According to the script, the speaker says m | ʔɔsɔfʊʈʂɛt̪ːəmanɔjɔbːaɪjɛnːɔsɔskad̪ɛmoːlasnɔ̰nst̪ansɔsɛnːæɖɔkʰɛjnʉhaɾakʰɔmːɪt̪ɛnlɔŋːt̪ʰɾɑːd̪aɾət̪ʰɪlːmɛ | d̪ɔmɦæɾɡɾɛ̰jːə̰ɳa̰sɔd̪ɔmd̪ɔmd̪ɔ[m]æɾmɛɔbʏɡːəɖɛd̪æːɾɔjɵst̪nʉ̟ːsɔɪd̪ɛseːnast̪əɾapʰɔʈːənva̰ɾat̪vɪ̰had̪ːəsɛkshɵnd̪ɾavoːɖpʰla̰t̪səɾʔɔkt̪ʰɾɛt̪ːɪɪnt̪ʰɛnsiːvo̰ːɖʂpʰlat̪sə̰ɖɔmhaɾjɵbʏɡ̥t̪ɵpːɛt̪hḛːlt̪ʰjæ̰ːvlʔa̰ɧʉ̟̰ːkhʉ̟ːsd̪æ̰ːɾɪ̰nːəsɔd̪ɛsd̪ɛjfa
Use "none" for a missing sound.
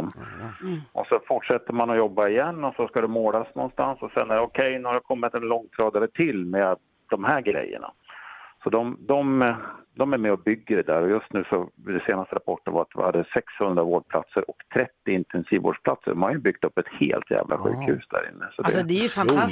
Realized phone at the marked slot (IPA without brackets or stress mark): m